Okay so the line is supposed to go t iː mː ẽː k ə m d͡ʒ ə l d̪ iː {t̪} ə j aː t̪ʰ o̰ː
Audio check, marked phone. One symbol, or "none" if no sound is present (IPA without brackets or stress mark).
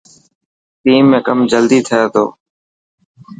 t̪ʰ